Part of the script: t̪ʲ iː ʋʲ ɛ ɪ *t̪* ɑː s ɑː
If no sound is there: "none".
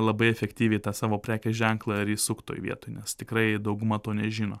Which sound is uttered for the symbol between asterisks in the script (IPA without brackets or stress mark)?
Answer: t̪